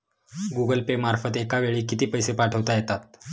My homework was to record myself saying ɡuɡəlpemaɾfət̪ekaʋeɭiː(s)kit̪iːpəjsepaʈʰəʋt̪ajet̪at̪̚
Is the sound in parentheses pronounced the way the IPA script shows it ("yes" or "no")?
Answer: no